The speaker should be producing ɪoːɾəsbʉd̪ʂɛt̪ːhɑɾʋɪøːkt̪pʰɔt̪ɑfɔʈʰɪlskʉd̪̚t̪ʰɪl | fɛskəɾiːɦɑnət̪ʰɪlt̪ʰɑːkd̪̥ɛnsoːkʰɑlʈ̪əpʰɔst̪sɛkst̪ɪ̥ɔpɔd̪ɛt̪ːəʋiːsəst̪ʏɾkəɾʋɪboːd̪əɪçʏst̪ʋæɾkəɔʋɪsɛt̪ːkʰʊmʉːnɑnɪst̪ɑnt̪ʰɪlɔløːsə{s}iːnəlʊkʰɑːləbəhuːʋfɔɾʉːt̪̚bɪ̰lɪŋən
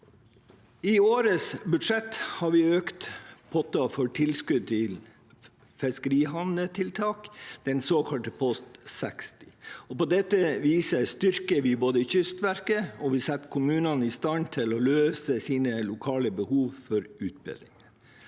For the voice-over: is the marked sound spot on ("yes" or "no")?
yes